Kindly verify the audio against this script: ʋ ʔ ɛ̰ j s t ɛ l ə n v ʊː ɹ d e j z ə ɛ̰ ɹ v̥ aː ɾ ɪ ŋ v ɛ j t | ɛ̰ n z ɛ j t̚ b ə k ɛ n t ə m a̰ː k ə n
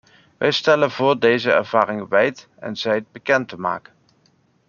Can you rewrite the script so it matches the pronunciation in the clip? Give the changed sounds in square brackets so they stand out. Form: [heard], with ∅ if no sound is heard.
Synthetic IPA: ʋ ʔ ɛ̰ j s t ɛ l ə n v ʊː ɹ d e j z ə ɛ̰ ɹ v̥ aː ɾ ɪ ŋ [ʋ] ɛ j t | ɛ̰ n z ɛ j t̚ b ə k ɛ n t ə m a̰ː k ə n